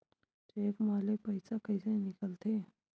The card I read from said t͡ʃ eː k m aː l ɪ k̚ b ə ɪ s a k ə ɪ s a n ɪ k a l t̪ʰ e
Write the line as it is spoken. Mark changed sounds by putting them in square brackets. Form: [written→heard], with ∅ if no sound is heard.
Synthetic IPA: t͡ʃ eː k m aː l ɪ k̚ [b→p] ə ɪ s a k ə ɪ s [a→e] n ɪ k [a→ə] l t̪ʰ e